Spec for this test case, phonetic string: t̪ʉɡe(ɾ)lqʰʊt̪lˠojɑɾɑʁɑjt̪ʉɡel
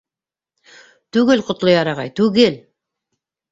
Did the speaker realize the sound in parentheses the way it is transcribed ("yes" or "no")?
no